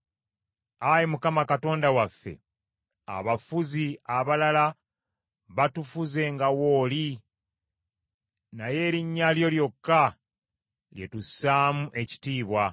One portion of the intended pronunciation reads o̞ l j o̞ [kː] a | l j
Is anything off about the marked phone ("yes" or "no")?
no